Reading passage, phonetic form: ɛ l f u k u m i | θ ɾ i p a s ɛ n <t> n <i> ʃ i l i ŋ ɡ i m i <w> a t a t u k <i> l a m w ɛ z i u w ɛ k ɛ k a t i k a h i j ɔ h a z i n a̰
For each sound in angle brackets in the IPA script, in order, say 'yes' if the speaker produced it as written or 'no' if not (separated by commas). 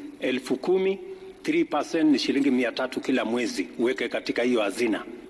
yes, yes, no, yes